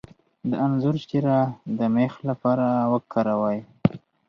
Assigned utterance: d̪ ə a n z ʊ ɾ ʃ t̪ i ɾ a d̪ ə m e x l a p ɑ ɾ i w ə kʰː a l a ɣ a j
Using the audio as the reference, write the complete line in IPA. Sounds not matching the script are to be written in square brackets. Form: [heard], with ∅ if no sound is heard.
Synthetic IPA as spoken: d̪ ə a n z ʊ ɾ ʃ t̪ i ɾ a d̪ ə m e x l a p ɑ ɾ [a] w ə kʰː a [ɾ] a [w] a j